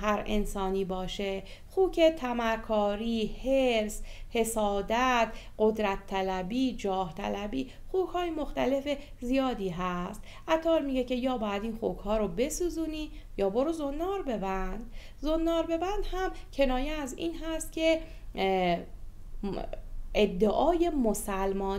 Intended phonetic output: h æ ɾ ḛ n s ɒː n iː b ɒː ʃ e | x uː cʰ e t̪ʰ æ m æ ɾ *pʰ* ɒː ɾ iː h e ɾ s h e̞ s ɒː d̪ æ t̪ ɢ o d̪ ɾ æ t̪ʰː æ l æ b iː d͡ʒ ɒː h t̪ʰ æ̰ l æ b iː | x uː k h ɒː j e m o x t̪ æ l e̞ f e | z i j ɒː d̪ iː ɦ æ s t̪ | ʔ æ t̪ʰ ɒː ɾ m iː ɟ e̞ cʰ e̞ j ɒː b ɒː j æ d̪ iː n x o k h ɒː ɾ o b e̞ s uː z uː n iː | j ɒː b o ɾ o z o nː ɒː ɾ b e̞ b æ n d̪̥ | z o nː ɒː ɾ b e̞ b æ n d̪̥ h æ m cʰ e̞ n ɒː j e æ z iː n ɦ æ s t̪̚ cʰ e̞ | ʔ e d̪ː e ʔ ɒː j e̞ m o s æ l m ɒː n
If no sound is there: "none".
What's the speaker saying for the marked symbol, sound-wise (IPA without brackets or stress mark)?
kʰ